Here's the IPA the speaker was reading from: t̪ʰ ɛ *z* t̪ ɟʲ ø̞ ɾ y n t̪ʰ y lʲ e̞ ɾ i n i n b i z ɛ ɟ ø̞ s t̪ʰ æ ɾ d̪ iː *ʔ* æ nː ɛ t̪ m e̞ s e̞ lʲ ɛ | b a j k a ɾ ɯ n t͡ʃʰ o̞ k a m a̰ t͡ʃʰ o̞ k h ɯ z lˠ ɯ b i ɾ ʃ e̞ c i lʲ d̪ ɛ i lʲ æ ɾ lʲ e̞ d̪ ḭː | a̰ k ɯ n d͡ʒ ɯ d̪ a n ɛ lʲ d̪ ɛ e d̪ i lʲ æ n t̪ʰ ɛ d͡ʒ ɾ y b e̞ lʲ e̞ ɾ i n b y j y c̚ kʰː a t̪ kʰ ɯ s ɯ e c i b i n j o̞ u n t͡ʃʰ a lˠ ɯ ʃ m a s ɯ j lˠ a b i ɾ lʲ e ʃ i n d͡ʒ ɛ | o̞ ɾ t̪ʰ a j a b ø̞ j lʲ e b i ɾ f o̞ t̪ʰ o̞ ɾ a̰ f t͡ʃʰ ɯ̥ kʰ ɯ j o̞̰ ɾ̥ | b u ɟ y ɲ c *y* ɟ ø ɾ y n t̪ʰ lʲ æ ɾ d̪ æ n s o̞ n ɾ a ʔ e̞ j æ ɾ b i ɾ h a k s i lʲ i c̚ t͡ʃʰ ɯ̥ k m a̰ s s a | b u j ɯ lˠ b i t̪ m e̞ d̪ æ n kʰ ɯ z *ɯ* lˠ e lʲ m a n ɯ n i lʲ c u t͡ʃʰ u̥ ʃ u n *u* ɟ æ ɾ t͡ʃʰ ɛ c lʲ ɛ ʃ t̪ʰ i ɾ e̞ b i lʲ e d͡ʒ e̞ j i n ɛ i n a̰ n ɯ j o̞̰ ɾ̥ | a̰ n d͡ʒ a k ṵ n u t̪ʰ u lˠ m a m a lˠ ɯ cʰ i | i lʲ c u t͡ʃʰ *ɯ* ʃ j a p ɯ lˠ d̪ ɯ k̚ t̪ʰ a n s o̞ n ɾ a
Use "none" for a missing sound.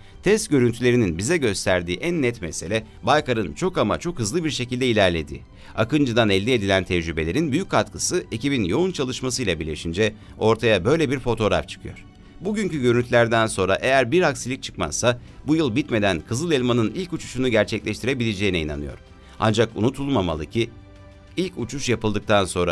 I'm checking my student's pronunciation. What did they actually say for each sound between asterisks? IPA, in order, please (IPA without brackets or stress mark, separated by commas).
s, ʔ, y, ɯ, u, u